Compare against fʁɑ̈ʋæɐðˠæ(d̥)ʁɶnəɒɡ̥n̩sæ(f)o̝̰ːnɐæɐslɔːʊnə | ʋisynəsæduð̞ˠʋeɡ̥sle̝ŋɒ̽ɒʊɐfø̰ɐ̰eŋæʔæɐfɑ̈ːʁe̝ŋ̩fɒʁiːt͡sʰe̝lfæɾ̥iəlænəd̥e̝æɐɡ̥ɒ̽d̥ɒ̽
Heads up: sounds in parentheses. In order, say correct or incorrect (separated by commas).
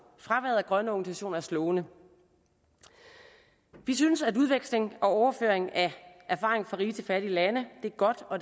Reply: incorrect, incorrect